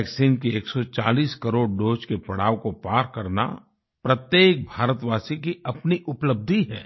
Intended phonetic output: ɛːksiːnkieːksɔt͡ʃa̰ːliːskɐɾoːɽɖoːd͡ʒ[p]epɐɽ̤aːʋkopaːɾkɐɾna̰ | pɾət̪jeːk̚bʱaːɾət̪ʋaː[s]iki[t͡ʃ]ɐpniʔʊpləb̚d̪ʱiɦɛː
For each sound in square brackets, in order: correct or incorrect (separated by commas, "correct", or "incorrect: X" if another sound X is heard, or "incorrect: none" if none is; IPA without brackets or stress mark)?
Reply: incorrect: k, correct, incorrect: none